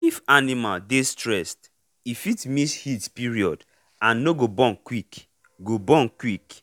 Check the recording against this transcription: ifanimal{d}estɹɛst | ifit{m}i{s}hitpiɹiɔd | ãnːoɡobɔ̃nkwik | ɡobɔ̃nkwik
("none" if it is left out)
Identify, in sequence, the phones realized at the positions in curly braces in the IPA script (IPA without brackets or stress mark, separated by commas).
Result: d, m, s